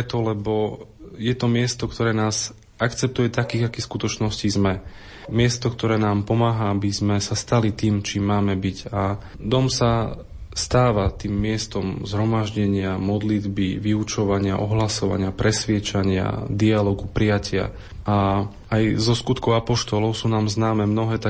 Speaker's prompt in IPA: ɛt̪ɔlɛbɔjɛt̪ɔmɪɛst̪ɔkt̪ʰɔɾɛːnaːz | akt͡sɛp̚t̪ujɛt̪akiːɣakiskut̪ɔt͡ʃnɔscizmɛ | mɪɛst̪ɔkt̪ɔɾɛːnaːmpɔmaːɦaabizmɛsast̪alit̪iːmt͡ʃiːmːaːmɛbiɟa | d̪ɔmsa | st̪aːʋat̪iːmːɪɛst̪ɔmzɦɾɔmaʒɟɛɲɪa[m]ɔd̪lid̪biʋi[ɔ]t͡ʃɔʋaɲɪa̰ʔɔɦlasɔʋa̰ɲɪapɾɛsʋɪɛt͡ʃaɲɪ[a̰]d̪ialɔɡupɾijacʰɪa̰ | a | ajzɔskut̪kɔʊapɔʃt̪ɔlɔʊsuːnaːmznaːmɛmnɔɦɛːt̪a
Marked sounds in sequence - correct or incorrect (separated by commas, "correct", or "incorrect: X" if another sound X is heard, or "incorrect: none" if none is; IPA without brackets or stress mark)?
correct, incorrect: u, correct